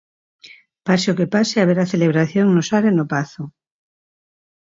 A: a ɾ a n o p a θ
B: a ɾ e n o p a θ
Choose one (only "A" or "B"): B